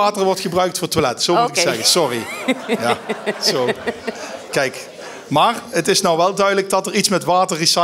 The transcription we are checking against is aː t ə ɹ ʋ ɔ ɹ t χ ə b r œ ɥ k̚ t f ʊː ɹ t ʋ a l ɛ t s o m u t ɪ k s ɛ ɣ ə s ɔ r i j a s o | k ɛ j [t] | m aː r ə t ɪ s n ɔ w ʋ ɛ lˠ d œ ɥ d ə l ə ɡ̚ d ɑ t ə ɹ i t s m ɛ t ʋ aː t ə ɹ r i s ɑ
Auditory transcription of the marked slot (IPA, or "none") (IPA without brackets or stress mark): k